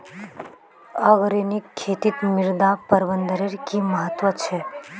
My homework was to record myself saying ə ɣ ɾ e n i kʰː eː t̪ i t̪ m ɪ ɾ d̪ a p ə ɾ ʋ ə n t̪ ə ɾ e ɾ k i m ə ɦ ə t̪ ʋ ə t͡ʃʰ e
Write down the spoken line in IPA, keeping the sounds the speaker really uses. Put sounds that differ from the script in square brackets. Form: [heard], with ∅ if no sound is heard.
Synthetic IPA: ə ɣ ɾ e n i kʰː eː t̪ i t̪ m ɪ ɾ d̪ a p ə ɾ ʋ ə n [d̪] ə ɾ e ɾ k i m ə ɦ ə t̪ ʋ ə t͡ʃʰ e